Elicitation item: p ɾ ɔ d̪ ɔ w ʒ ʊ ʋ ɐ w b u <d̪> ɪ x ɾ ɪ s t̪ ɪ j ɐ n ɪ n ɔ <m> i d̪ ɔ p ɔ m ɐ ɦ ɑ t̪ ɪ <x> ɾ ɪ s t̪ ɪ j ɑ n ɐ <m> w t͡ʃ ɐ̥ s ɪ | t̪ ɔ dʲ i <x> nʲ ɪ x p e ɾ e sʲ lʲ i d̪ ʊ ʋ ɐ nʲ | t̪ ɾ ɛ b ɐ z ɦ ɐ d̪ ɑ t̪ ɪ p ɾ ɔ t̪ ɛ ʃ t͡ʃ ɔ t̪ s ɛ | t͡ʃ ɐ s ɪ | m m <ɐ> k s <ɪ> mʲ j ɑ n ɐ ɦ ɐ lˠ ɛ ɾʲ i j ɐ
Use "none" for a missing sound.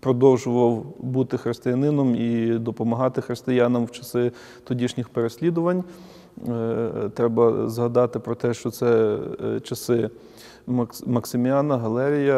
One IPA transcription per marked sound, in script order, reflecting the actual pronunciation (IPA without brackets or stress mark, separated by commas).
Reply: t̪, m, x, m, ʃ, ɐ, ɪ